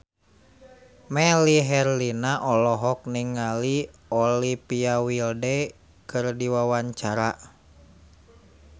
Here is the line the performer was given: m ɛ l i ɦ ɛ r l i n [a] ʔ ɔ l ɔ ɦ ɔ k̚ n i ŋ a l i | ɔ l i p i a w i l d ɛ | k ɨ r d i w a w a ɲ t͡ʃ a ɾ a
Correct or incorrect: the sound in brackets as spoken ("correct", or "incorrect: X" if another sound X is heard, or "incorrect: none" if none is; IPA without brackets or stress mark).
correct